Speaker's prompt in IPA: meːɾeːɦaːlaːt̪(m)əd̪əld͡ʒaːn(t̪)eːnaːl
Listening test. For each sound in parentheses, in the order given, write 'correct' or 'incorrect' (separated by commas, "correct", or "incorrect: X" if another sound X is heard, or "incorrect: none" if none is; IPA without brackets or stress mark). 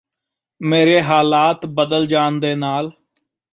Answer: incorrect: b, incorrect: d̪